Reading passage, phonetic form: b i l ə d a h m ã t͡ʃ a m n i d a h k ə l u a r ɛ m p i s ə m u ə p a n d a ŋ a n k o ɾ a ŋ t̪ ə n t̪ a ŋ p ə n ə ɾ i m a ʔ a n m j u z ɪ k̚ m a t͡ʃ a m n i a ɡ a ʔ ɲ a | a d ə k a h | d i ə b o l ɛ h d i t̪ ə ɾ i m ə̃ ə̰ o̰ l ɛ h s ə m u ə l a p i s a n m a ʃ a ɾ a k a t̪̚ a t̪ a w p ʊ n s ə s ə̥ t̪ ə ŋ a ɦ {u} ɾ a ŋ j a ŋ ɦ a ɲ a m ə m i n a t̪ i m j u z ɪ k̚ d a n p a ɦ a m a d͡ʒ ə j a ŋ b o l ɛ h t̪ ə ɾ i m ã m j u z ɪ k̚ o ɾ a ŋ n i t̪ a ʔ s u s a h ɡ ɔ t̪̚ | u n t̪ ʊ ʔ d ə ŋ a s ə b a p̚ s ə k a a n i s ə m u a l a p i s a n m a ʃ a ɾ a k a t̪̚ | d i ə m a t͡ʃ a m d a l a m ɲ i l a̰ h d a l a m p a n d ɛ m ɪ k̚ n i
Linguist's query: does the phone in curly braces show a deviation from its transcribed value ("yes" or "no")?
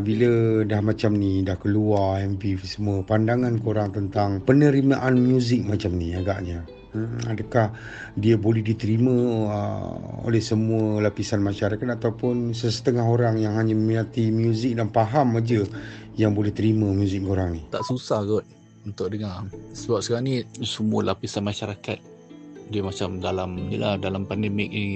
yes